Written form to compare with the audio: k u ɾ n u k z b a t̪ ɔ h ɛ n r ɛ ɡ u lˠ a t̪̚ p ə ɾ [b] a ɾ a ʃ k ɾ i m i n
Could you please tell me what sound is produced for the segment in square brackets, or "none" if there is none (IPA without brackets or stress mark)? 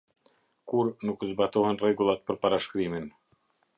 p